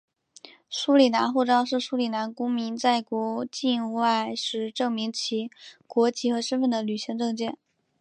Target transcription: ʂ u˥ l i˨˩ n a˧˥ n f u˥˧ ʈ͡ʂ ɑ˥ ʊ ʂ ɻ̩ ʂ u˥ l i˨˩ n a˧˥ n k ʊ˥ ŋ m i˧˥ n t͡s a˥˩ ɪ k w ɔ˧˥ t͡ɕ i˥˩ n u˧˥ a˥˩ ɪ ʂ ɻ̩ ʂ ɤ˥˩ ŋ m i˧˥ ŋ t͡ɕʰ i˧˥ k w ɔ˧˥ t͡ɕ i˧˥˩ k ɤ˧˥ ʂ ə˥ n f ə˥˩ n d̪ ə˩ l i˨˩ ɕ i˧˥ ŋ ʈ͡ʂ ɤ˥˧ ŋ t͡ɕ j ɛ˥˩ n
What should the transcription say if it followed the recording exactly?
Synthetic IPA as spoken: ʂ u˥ l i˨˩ n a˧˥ n x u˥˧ ʈ͡ʂ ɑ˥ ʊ ʂ ɻ̩ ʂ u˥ l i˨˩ n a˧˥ n k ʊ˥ ŋ m i˧˥ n t͡s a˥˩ ɪ k w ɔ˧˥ t͡ɕ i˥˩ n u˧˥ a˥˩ ɪ ʂ ɻ̩ ʈ͡ʂ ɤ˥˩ ŋ m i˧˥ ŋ t͡ɕʰ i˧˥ k w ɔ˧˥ t͡ɕ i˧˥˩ x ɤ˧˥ ʂ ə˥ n f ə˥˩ n d̪ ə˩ l y˨˩ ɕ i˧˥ ŋ ʈ͡ʂ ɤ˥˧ ŋ t͡ɕ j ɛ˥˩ n